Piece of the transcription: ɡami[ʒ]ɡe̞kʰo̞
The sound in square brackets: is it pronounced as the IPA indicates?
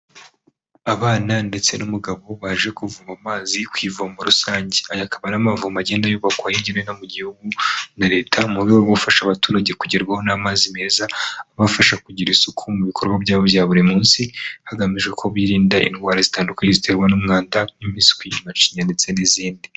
yes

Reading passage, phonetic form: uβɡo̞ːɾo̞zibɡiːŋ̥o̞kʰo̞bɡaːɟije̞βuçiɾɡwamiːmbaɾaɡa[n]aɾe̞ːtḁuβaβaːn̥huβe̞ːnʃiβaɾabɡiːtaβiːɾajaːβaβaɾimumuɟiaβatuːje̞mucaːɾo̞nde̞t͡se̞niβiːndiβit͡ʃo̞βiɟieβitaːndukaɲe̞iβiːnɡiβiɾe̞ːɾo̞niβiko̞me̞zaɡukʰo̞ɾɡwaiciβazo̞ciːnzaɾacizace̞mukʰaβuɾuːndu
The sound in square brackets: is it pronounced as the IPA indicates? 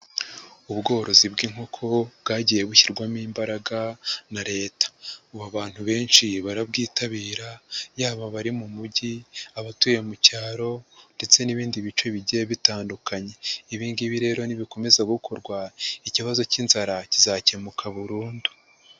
yes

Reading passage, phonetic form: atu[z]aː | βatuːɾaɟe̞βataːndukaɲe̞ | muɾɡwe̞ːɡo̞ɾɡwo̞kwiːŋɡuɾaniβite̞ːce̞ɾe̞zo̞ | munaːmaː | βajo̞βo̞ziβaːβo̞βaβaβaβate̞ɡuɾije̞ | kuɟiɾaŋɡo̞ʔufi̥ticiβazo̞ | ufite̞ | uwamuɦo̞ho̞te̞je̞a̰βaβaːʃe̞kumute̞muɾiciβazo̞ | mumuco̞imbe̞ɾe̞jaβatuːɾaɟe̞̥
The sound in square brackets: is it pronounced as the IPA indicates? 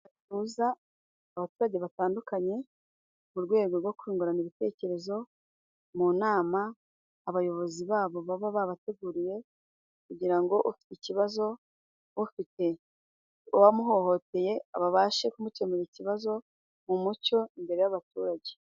yes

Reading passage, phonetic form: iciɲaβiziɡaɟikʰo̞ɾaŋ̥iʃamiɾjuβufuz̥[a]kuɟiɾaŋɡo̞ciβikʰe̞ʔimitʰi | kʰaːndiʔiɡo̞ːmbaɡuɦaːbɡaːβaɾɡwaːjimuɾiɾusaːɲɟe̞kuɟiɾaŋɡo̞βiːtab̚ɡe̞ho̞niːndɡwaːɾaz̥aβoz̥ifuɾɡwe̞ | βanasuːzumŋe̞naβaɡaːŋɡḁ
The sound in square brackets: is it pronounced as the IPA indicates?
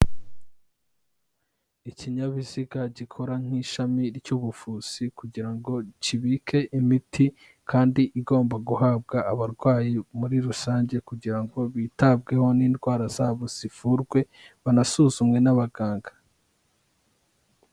no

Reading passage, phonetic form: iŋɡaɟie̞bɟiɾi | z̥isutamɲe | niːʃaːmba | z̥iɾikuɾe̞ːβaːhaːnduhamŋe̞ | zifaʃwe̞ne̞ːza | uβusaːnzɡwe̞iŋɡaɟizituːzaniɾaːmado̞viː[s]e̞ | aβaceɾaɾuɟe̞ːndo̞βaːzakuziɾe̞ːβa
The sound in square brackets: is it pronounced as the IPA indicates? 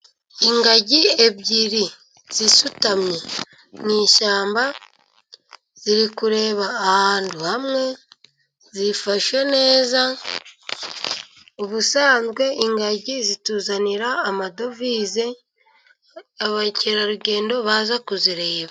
no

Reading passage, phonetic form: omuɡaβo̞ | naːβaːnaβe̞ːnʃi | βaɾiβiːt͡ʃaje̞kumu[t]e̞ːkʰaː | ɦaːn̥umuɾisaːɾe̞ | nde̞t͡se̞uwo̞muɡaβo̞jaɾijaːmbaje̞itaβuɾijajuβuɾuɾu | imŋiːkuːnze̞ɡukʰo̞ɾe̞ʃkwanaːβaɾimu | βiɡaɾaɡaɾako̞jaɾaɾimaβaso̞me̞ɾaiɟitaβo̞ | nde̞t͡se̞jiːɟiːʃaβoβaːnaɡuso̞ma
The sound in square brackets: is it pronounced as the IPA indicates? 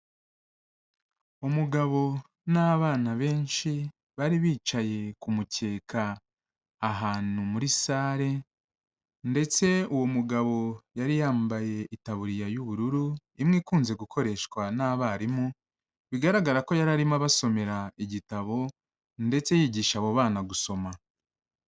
no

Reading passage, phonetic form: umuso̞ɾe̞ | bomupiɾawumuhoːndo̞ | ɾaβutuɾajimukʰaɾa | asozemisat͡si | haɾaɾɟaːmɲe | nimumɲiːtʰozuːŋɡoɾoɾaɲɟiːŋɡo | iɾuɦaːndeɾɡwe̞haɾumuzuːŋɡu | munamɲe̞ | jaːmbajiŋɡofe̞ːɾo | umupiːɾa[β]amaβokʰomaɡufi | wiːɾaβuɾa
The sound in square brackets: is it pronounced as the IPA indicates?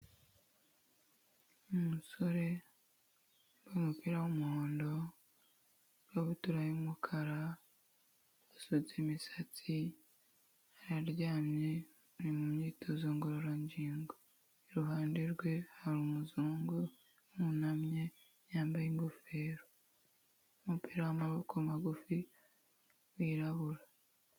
no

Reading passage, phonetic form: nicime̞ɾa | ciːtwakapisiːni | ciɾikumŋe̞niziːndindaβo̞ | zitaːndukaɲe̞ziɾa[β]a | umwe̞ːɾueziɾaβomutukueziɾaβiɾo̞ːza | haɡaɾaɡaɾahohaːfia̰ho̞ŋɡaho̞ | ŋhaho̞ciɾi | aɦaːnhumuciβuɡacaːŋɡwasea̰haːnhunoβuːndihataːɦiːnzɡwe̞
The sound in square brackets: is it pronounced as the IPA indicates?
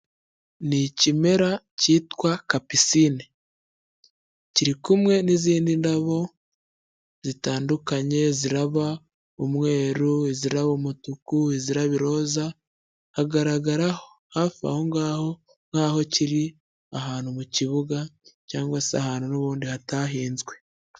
yes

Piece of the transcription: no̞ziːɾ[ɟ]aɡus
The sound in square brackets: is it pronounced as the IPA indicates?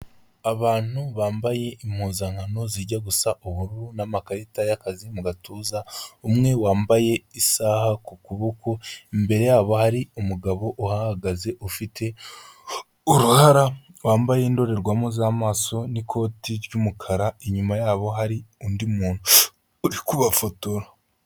yes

